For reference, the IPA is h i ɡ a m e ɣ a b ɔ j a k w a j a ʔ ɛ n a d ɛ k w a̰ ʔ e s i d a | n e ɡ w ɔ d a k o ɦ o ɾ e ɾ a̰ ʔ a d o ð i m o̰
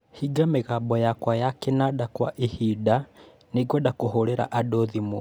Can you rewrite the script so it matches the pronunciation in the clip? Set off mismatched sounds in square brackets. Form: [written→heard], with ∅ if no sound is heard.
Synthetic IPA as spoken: h i ɡ a m e ɣ a b ɔ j a k w a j a [ʔ→k] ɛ n a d [ɛ→a] k w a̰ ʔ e [s→h] i d a | n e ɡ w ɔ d a k o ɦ o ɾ e ɾ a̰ ʔ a d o ð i m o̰